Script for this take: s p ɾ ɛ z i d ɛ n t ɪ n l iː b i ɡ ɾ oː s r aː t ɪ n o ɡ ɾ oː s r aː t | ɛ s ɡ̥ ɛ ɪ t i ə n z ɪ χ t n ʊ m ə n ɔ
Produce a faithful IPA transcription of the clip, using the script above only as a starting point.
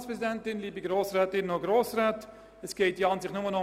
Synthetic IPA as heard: s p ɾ ɛ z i d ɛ n t ɪ n l iː b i ɡ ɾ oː s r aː t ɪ n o ɡ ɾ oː s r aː t | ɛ s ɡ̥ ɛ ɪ t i ɑ n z ɪ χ t n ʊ m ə n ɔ

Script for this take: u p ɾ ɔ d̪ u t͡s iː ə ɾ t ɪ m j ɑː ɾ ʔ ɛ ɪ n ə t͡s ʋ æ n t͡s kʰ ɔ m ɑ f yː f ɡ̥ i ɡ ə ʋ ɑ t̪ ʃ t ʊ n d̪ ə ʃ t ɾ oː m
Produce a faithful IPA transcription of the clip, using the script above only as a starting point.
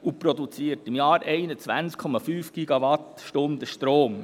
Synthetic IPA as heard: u p ɾ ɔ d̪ u t͡s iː ə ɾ t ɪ m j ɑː ɾ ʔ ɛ ɪ n ə t͡s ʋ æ n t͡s kʰ ɔ m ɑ f yː f ɡ̥ i ɡ ɑ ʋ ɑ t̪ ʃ t ʊ n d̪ ə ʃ t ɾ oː m

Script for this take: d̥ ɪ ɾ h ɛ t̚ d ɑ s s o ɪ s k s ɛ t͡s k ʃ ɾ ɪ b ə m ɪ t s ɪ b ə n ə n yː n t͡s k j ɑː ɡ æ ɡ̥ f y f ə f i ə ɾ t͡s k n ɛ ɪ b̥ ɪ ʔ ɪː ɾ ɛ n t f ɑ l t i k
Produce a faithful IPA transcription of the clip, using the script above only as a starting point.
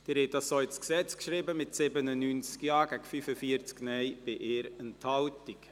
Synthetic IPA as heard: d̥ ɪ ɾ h ɛ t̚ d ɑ s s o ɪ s k s ɛ t͡s k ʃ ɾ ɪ b ə m ɪ t s ɪ b ə n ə n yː n t͡s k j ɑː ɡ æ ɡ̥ f y f ə f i ə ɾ t͡s k n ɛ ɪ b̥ ɪ ʔ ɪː ɾ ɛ n t h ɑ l t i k

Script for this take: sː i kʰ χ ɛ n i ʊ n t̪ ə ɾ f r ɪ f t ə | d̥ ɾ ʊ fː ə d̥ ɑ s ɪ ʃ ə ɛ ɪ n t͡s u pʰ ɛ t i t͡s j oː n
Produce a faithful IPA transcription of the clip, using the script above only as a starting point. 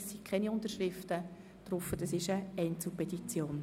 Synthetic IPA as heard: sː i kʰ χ ɛ n i ʊ n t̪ ə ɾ ʃ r ɪ f t ə | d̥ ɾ ʊ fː ə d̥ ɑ s ɪ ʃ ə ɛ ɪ n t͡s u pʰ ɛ t i t͡s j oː n

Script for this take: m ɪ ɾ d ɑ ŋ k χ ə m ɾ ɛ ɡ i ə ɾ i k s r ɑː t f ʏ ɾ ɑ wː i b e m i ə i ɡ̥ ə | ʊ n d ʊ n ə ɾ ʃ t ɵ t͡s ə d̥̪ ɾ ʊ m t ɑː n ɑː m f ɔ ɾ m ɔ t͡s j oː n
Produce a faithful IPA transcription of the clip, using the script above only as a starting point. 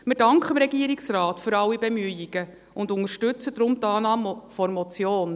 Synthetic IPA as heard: m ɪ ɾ d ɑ ŋ k χ ə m ɾ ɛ ɡ i ə ɾ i k s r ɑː t f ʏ ɾ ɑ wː i b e m y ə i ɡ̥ ə | ʊ n d ʊ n ə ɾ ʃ t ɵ t͡s ə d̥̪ ɾ ʊ m t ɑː n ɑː m f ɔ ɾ m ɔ t͡s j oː n

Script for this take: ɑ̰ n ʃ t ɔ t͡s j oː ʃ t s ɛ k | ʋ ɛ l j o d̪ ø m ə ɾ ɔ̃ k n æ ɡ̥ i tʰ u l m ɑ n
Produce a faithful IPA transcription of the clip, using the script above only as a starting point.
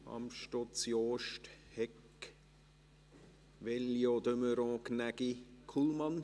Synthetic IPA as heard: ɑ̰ m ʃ t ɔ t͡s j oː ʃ t h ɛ k | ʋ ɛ l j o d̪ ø m ə ɾ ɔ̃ k n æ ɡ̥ i kʰ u l m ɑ n

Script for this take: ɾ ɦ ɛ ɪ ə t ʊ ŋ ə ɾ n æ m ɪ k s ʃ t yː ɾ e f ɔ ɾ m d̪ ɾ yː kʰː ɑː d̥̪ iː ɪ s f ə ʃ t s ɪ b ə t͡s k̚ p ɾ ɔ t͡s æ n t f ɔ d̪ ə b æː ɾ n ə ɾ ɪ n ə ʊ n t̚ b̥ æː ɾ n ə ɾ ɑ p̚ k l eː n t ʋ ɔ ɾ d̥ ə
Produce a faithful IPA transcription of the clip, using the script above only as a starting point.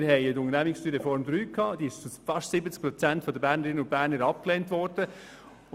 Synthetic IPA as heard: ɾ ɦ ɛ ɪ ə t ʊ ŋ ə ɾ n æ m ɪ k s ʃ t yː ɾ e f ɔ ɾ m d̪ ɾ yː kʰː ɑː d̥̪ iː ɪ ʃ f ɑ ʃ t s ɪ b ə t͡s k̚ p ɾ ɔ t͡s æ n t f ɔ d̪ ə b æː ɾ n ə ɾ ɪ n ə ʊ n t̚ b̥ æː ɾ n ə ɾ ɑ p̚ k l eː n t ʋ ɔ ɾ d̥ ə

